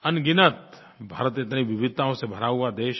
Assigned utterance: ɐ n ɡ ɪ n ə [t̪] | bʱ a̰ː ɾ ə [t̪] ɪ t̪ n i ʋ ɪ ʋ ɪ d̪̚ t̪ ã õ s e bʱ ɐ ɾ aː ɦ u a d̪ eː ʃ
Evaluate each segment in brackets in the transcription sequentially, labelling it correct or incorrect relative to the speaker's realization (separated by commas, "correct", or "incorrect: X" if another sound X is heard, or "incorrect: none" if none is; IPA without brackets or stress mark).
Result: correct, correct